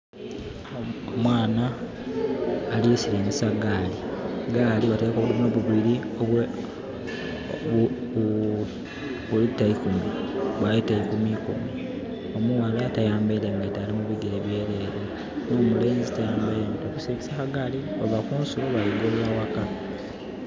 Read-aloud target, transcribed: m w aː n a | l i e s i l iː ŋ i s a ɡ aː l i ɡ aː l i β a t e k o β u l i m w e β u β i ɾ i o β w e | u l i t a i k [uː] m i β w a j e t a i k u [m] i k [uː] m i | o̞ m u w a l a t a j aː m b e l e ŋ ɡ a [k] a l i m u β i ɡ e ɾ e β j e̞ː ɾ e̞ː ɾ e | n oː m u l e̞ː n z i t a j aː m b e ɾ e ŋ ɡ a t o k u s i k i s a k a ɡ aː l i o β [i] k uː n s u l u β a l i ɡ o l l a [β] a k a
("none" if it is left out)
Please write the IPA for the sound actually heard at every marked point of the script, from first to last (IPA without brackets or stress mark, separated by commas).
u, m, u, t, a, w